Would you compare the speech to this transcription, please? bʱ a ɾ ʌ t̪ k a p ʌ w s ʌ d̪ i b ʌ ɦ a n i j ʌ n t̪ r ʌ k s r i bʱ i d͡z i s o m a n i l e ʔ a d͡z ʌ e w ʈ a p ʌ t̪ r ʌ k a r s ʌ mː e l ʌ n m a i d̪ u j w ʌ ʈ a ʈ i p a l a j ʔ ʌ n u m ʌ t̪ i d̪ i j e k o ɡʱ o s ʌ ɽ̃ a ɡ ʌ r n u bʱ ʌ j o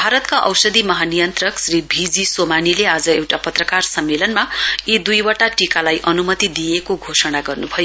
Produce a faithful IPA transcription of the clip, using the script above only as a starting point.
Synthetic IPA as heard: bʱ a ɾ ʌ t̪ k a ʔ ʌ w s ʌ d̪ i m ʌ ɦ a n i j ʌ n t̪ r ʌ k s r i bʱ i d͡z i s o m a n i l e a d͡z ʌ e w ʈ a p ʌ t̪ r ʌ k a r s ʌ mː e l ʌ n m a i d̪ u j w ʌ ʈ a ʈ i k a l a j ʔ ʌ n u m ʌ t̪ i d̪ i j e k o ɡʱ o s ʌ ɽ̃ a ɡ ʌ r n u bʱ ʌ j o

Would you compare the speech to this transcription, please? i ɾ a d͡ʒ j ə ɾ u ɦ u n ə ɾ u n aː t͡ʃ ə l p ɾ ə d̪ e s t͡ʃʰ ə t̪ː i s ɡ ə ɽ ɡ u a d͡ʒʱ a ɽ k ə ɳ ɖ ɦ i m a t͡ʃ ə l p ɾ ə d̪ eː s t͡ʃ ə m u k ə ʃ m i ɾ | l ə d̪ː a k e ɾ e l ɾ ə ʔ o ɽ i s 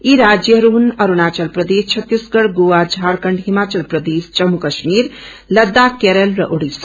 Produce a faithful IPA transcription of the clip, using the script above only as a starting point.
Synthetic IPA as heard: i ɾ a d͡ʒ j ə ɾ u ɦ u n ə ɾ u n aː t͡ʃ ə l p ɾ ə d̪ e s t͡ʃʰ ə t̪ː i s ɡ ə ɽ ɡ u a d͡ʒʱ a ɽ k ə ɳ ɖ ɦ i m a t͡ʃ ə l p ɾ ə d̪ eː s t͡ʃ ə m u k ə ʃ m i ɾ | l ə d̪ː a k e ɾ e l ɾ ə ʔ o ɽ i s

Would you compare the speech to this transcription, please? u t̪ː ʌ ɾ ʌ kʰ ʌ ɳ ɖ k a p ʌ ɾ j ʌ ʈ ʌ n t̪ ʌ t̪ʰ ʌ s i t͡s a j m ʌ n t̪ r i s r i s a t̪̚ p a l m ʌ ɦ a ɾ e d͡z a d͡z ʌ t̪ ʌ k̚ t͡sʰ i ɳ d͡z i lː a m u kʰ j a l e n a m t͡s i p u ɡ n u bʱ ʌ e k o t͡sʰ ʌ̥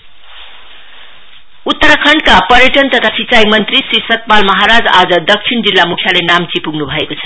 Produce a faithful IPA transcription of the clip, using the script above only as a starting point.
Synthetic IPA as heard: u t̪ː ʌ ɾ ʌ kʰ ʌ ɳ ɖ k a p ʌ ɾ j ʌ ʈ ʌ n t̪ ʌ t̪ʰ a s i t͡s a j m ʌ n t̪ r i s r i s ʌ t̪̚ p a l m ʌ ɦ a ɾ a d͡z a d͡z ʌ d̪ ʌ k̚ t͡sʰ i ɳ d͡z i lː a m u kʰ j a l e n a m t͡s i p u ɡ n u bʱ ʌ e k o t͡sʰ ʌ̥

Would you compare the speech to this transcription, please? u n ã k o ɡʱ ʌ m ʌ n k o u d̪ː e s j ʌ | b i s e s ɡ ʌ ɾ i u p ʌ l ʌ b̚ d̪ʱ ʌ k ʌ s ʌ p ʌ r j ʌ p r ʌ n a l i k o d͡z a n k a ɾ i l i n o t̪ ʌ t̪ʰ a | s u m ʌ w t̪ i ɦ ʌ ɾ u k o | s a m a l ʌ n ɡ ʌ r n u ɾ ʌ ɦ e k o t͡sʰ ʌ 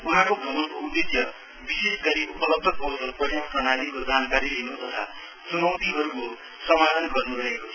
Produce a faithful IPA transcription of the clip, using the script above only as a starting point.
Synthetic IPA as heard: u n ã k o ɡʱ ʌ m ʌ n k o u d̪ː e s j ʌ | b i s e s ɡ ʌ ɾ i u p ʌ l ʌ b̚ d̪ʱ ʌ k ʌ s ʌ p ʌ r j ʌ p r ʌ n a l i k o d͡z a n k a ɾ i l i n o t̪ ʌ t̪ʰ a | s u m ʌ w t̪ i ɦ ʌ ɾ u k o | s ʌ m a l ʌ n ɡ ʌ r n u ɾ ʌ ɦ e k o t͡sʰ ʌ

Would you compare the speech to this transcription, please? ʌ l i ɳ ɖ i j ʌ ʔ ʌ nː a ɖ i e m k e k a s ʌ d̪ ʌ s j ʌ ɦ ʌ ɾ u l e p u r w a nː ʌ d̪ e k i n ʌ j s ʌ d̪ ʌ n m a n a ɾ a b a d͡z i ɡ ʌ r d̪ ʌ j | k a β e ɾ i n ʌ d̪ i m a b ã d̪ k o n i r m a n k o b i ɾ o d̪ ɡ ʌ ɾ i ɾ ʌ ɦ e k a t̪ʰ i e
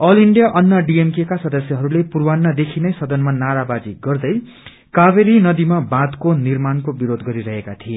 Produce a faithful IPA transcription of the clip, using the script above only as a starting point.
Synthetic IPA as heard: ʌ l i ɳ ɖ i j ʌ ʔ ʌ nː ʌ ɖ i e m k e k a s ʌ d̪ ʌ s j ʌ ɦ ʌ ɾ u l e p u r w a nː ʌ d̪ e kʰ i n ʌ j s ʌ d̪ ʌ n m a n a ɾ a b a d͡z i ɡ ʌ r d̪ ʌ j | k a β e ɾ i n ʌ d̪ i m a b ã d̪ k o n i r m a n k o b i ɾ o d̪ ɡ ʌ ɾ i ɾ ʌ ɦ e k a t̪ʰ i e

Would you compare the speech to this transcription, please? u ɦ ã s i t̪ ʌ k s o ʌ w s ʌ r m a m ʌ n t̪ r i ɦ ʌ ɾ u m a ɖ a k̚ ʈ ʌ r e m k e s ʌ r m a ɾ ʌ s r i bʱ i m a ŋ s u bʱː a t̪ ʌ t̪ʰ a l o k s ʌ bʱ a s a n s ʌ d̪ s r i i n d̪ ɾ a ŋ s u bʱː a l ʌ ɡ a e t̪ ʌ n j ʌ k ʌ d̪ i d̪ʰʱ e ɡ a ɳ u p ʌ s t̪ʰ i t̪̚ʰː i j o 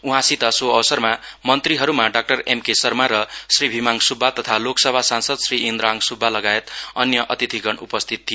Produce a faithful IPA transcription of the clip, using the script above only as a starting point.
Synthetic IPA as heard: u ɦ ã s i t̪ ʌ s o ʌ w s ʌ r m a m ʌ n t̪ r i ɦ ʌ ɾ u m a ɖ a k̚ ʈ ʌ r e m k e s ʌ r m a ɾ ʌ s r i bʱ i m a ŋ s u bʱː a t̪ ʌ t̪ʰ a l o k s ʌ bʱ a s a n s ʌ d̪ s r i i n d̪ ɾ a ŋ s u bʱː a l ʌ ɡ a e t̪ ʌ n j ʌ ʔ ʌ t̪ i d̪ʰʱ i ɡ ʌ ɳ u p ʌ s t̪ʰ i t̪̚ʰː i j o

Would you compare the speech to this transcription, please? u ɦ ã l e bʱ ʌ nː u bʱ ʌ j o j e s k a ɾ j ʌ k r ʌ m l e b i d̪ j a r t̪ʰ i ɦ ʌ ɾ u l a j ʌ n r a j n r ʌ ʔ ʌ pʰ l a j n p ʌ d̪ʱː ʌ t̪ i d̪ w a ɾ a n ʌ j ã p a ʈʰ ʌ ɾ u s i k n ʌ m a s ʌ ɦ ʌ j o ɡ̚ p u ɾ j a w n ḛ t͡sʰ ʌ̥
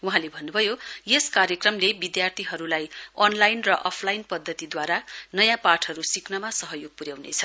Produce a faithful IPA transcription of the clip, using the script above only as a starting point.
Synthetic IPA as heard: u ɦ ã l e bʱ ʌ nː u bʱ ʌ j o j e s k a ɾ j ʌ k r ʌ m l e b i d̪ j a r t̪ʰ i ɦ ʌ ɾ u l a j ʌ n l a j n r ʌ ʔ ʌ pʰ l a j n p ʌ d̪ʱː ʌ t̪ i d̪ w a ɾ a n ʌ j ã p a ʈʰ ʌ ɾ u s i k n ʌ m a s ʌ ɦ ʌ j o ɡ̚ p u ɾ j a w n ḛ t͡sʰ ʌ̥

